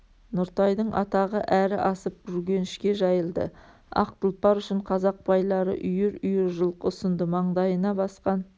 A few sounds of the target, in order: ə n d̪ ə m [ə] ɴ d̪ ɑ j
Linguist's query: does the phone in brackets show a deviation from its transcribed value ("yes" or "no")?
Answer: yes